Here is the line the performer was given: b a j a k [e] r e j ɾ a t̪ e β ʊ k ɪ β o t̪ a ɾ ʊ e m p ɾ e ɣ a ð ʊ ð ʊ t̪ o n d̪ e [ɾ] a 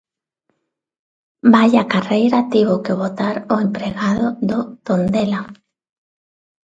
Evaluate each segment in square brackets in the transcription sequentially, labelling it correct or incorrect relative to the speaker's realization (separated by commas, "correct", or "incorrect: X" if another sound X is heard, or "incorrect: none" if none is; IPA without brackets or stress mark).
incorrect: a, incorrect: l